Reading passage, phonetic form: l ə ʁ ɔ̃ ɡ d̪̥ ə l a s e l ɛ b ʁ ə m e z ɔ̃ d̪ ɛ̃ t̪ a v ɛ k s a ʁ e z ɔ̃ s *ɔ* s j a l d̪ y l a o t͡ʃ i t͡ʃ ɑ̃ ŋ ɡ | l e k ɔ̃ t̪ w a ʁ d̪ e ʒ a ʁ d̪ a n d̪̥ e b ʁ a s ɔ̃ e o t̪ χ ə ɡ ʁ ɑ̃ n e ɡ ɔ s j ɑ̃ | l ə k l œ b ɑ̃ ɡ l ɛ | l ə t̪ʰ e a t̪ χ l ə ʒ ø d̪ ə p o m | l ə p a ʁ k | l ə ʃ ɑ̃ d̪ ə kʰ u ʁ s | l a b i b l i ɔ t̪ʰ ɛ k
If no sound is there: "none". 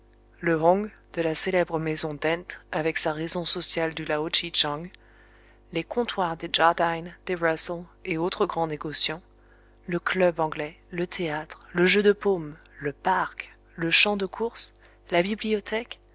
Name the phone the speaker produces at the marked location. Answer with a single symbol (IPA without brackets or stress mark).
ɔ